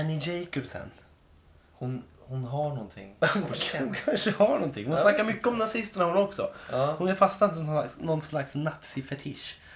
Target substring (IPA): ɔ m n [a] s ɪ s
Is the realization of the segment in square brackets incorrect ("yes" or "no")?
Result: no